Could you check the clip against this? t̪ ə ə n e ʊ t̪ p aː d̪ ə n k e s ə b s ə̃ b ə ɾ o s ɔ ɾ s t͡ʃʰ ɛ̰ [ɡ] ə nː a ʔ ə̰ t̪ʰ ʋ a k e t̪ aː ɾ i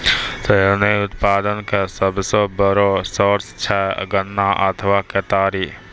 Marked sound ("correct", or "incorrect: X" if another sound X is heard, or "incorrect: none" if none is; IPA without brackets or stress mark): correct